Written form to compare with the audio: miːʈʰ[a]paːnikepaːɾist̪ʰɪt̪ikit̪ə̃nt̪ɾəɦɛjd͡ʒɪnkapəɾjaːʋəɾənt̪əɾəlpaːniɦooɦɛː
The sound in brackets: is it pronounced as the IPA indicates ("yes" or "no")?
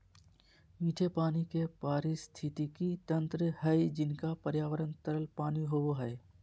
no